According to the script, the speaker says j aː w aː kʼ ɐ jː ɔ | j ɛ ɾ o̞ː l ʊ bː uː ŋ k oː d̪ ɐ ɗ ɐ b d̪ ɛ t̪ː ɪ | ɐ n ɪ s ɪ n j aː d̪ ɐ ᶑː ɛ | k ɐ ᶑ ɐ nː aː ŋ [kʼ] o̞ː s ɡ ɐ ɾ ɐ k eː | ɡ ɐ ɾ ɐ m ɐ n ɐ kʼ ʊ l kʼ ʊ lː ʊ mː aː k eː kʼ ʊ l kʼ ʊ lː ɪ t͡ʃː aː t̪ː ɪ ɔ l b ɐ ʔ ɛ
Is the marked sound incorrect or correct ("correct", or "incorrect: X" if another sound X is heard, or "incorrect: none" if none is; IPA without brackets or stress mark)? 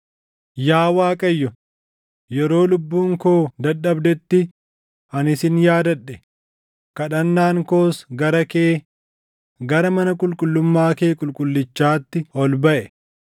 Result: incorrect: k